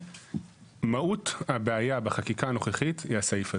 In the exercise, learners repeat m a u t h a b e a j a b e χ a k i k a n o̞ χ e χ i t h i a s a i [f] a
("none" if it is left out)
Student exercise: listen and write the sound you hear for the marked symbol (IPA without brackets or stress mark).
f